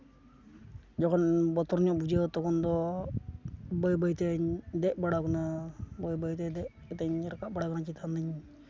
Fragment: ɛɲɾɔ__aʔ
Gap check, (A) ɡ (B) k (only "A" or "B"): B